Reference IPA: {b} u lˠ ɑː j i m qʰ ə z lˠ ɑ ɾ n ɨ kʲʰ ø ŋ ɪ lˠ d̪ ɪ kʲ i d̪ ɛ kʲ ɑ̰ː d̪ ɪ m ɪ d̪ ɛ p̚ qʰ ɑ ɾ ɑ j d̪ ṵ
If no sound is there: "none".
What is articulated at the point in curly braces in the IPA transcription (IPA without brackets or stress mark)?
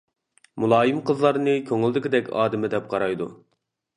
m